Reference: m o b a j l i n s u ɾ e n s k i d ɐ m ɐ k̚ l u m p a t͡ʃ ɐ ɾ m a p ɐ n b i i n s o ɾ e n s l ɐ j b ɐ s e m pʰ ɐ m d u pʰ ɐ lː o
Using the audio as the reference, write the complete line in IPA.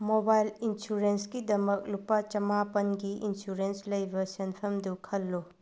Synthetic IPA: m o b a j l i n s u ɾ e n s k i d ɐ m ɐ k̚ l u p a t͡ʃ ɐ m a p ɐ n ɡ i i n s u ɾ e n s l ɐ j b ɐ s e n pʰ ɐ m d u kʰ ɐ lː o